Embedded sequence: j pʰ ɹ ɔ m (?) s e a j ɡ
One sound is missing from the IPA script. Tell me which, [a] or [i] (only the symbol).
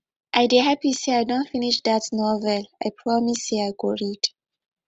i